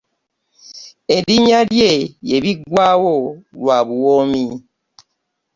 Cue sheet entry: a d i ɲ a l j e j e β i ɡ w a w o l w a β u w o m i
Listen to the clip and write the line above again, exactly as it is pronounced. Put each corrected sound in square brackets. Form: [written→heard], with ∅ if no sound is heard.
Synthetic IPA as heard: [a→e] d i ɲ a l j e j e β i ɡ w a w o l w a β u w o m i